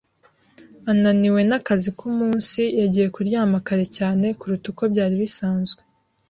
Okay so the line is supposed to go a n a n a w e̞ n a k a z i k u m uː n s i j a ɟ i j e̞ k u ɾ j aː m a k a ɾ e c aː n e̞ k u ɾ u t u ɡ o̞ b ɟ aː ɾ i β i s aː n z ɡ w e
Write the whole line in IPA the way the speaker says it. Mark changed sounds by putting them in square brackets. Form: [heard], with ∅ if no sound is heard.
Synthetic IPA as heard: a n a n [i] w e̞ n a k a z i k u m uː n s i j a ɟ i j e̞ k u ɾ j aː m a k a ɾ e c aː n e̞ k u ɾ u t u [k] o̞ b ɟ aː ɾ i β i s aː n z ɡ w e